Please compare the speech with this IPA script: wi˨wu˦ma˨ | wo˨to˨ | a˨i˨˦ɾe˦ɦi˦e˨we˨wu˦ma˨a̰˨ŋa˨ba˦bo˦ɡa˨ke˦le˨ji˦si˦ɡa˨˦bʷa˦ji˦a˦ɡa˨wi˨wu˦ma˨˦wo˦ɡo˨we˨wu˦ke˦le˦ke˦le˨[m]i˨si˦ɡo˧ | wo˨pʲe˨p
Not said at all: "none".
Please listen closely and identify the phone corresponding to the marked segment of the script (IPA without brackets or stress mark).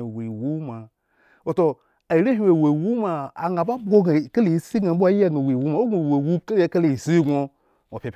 none